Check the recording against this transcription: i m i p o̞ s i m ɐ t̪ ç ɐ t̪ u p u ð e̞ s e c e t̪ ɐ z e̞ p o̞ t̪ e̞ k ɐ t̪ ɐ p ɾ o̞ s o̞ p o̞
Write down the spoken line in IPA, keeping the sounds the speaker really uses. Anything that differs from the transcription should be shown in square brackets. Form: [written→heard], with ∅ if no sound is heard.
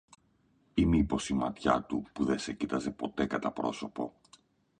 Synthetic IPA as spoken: i m i p o̞ s i m ɐ t̪ ç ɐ t̪ u p u ð e̞ s e c [e→i] t̪ ɐ z e̞ p o̞ t̪ e̞ k ɐ t̪ ɐ p ɾ o̞ s o̞ p o̞